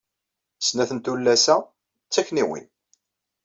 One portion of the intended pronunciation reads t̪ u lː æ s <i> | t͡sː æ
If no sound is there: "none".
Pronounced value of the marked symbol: æ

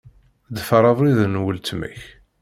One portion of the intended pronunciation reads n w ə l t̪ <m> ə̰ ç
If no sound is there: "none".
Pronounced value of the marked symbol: m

